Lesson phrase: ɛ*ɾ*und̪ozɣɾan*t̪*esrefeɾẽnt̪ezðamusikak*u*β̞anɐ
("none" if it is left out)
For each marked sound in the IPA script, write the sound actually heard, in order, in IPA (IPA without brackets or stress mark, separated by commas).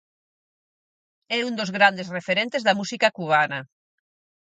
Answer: none, d̪, u